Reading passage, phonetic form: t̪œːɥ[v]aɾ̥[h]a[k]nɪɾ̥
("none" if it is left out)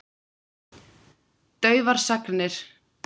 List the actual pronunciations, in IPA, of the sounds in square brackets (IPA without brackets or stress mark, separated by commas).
v, s, k